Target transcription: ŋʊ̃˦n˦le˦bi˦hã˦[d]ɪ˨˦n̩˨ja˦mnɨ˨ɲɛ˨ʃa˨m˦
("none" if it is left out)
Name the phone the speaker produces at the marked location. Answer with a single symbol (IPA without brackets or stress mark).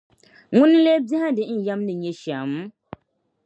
d